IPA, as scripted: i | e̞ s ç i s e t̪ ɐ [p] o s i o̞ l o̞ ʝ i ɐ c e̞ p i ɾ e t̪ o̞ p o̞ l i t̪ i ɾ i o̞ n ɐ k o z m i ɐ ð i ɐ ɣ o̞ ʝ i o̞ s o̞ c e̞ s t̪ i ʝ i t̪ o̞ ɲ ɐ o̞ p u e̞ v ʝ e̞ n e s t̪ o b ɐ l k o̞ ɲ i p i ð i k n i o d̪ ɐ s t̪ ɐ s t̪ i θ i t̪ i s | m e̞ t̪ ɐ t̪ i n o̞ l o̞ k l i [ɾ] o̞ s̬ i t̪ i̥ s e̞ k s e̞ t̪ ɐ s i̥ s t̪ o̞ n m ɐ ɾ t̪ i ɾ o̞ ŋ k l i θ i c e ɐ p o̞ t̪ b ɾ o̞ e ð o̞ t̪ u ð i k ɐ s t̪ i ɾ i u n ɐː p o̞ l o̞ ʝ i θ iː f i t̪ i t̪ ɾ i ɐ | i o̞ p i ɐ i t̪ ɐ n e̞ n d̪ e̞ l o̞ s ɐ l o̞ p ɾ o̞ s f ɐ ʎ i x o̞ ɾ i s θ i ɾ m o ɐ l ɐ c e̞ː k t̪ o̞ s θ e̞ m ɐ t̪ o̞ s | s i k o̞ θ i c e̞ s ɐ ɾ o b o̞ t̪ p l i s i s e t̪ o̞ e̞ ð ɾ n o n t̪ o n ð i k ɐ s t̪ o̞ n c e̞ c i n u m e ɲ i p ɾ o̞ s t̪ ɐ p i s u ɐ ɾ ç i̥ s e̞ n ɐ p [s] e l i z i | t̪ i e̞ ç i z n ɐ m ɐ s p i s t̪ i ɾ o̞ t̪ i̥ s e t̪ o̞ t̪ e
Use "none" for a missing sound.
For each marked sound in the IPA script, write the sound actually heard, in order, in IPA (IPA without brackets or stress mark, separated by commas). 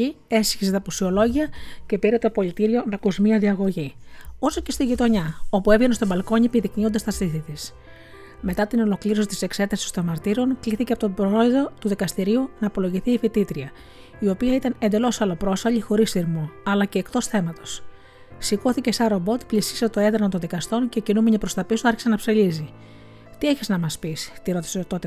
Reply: p, ɾ, s